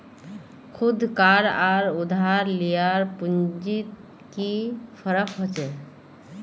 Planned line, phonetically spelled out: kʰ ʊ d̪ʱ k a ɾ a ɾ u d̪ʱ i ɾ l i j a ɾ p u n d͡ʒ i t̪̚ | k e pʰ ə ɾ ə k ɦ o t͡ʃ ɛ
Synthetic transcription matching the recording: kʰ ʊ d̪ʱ k a ɾ a ɾ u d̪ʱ a ɾ l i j a ɾ p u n d͡ʒ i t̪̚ | k i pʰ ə ɾ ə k ɦ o t͡ʃ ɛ